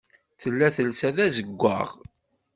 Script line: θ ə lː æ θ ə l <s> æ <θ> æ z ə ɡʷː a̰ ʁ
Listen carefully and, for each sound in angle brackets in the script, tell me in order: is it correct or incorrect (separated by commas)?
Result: correct, incorrect